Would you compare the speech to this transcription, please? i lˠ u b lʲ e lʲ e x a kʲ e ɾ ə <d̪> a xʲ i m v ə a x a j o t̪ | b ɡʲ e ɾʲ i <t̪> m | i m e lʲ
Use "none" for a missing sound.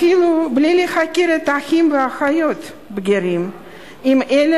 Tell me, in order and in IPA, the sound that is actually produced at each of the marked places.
t̪, none

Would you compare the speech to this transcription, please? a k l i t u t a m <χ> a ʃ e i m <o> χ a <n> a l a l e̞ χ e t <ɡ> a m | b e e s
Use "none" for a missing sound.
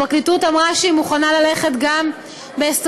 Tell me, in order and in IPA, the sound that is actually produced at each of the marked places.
ʁ, u, n, ɡ

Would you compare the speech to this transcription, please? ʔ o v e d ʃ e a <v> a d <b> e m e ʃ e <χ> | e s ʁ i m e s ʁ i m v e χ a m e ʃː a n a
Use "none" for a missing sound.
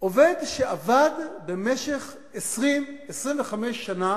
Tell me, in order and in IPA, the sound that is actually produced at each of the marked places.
v, b, χ

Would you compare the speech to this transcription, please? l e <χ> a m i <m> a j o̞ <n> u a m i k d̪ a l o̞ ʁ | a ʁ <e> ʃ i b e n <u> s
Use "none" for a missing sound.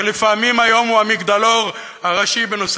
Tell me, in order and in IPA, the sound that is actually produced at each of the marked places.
f, m, m, a, o

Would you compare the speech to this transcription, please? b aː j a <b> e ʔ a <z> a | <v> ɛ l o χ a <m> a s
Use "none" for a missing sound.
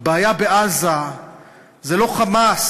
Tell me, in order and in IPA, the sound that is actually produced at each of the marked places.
b, z, z, m

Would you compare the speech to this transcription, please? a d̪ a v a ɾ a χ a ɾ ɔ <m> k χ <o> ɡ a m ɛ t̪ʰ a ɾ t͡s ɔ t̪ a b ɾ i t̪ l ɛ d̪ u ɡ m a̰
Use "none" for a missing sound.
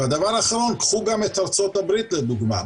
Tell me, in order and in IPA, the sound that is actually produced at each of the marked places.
n, u

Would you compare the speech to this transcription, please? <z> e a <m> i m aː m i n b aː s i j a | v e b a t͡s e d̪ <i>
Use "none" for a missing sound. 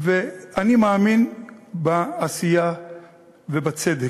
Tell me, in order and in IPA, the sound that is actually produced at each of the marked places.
v, n, e

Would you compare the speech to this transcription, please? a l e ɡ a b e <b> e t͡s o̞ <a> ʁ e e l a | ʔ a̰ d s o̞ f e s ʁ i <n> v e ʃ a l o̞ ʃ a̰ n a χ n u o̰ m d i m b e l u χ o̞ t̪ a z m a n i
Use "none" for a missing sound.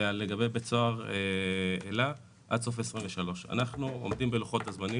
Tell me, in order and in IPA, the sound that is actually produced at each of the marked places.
b, a, m

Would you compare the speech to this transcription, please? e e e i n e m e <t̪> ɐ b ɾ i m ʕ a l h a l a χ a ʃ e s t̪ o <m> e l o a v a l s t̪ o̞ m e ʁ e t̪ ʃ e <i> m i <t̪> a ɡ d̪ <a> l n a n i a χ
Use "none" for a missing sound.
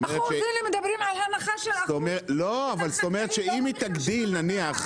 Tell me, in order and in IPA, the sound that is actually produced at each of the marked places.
d̪, m, i, t̪, i

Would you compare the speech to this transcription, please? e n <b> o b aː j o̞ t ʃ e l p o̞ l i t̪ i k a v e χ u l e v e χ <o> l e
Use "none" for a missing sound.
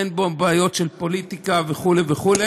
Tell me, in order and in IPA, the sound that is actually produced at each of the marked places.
b, u

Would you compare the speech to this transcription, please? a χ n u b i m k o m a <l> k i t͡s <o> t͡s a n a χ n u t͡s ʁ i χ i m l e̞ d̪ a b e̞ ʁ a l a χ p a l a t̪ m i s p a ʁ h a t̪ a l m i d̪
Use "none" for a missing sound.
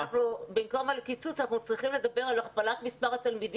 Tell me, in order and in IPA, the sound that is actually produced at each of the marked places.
l, u

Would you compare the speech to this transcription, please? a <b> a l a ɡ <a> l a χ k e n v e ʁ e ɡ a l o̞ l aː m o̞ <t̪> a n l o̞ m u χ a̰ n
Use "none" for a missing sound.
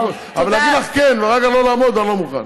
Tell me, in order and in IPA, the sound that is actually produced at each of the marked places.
v, i, d̪

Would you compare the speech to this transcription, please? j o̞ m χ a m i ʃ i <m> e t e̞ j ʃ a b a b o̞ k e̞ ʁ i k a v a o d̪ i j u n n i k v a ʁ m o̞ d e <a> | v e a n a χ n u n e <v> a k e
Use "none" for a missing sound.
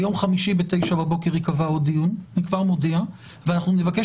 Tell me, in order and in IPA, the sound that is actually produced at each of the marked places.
b, a, v

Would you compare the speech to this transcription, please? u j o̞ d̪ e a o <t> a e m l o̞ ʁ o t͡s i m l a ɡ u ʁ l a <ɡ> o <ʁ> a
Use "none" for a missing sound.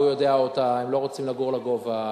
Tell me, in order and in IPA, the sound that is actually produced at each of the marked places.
t, ɡ, v

